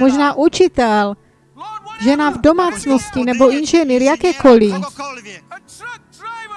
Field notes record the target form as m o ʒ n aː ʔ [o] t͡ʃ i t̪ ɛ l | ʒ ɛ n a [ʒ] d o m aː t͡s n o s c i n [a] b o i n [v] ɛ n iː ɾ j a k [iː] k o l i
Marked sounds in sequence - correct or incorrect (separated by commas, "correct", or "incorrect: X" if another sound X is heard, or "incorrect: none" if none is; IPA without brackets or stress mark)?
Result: incorrect: u, incorrect: v, incorrect: ɛ, incorrect: ʒ, incorrect: ɛː